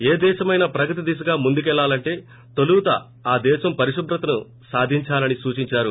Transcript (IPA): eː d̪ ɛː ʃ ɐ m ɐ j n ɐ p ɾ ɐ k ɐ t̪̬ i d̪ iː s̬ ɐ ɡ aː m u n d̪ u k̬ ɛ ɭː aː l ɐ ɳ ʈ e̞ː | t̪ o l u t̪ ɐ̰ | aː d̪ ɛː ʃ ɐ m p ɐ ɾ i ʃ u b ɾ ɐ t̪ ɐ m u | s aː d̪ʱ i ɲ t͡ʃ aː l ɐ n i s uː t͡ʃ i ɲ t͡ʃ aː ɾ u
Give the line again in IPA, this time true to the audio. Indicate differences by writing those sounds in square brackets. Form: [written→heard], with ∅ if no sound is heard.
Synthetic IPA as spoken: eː d̪ ɛː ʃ ɐ m ɐ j n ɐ p ɾ ɐ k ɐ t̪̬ i d̪ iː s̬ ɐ ɡ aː m u n d̪ u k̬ ɛ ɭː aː l ɐ ɳ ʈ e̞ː | t̪ o l u t̪ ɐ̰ | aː d̪ ɛː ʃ ɐ m p ɐ ɾ i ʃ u b ɾ ɐ t̪ ɐ [m→n] u | s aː d̪ʱ i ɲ t͡ʃ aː l ɐ n i s uː t͡ʃ i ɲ t͡ʃ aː ɾ u